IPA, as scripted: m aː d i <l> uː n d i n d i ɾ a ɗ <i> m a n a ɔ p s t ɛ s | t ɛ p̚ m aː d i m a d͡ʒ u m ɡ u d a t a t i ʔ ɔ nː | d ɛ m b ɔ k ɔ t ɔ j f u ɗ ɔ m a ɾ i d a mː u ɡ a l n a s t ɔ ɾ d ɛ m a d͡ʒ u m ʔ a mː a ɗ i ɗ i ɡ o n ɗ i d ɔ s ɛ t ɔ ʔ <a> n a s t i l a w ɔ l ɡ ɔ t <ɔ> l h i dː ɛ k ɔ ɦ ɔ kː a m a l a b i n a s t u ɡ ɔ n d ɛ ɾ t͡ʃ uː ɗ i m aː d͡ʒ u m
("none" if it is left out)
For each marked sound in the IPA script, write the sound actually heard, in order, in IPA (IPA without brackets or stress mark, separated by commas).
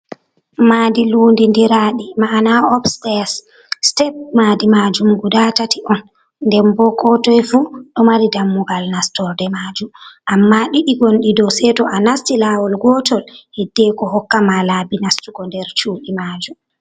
l, i, a, ɔ